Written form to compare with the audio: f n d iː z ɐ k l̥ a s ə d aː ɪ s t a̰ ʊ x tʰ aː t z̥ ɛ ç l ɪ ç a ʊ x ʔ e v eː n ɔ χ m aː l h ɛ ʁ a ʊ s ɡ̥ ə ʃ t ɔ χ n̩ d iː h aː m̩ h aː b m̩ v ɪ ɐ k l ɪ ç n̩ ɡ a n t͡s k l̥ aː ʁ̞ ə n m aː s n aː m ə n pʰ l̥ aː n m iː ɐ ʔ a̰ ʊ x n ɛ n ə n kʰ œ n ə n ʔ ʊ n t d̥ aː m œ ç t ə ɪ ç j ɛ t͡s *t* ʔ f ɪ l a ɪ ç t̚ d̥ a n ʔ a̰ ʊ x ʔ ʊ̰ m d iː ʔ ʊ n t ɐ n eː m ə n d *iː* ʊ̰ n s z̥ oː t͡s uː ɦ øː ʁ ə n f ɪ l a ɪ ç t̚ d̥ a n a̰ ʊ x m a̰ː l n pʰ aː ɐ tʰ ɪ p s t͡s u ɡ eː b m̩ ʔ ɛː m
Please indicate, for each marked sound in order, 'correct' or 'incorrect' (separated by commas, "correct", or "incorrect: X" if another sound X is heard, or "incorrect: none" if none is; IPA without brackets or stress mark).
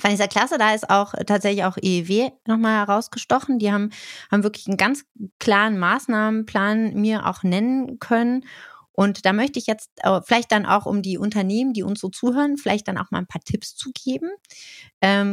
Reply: correct, correct